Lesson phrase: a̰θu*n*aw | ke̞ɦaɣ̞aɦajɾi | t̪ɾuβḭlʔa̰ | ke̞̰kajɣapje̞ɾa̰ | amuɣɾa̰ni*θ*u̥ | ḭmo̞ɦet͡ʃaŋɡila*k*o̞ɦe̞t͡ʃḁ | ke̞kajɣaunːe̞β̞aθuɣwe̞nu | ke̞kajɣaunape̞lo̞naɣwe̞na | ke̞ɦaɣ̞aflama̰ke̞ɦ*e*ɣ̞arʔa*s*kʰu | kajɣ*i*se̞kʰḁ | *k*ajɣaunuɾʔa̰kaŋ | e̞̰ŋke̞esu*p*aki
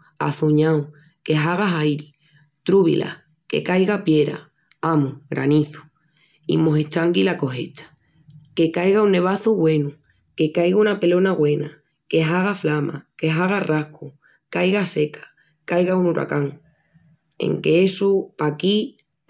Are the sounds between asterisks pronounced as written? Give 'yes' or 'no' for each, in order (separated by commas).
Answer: no, yes, yes, no, no, no, yes, yes